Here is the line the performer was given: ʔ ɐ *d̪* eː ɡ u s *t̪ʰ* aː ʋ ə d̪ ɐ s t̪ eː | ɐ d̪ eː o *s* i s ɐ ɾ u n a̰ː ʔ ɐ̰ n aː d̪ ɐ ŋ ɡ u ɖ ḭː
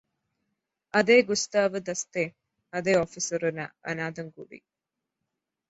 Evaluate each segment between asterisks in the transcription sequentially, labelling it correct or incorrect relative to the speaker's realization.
correct, incorrect: t̪, incorrect: f

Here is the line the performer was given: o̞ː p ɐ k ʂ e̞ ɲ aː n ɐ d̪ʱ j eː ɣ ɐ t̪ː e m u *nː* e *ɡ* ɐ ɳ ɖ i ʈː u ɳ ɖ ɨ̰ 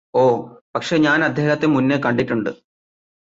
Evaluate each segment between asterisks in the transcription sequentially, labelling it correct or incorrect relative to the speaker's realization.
correct, incorrect: k

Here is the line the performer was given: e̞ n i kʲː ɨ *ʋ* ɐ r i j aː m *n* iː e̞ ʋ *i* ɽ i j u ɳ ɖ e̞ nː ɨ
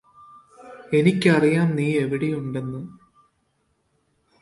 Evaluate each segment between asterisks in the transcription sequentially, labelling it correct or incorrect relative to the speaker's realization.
incorrect: none, correct, correct

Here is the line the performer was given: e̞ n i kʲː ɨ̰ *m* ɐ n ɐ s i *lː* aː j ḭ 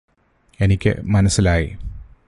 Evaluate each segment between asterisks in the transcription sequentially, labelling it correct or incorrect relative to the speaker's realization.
correct, incorrect: l

